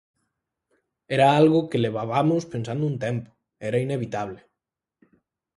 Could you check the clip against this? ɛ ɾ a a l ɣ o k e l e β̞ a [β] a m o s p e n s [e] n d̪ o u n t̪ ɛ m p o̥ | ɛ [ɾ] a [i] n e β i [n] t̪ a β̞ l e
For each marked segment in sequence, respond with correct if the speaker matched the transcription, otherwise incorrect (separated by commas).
correct, incorrect, correct, correct, incorrect